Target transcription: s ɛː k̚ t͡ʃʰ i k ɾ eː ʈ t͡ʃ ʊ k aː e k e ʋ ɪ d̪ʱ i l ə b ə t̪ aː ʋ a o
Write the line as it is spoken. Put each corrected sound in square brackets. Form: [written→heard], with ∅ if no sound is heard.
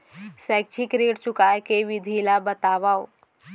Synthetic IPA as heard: s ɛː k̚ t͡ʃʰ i k ɾ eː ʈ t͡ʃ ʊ k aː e k e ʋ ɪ d̪ʱ i l [ə→a] b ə t̪ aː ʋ a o

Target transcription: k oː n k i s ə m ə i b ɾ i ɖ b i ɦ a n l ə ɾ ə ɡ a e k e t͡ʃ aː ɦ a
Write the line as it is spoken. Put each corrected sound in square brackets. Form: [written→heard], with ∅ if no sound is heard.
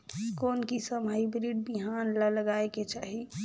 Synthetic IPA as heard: k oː n k i s ə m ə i b ɾ i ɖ b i ɦ a n l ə [ɾ→l] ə ɡ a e k e t͡ʃ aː ɦ [a→i]

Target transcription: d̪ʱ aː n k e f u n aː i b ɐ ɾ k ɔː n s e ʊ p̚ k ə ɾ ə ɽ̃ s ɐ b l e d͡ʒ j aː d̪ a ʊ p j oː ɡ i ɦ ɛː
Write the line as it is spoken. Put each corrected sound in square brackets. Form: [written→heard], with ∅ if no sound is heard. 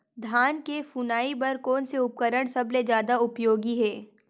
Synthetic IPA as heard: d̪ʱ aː n k e f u n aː i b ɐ ɾ k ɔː n s e ʊ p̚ k ə ɾ ə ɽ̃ s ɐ b l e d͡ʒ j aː d̪ a ʊ p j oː ɡ i ɦ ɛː

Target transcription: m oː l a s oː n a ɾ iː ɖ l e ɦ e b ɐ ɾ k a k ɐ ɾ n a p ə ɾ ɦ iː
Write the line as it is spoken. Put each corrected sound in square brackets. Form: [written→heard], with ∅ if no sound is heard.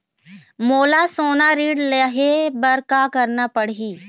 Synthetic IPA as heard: m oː l a s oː n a ɾ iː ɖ l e ɦ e b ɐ ɾ k a k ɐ ɾ n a p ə [ɾ→ɽ] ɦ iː

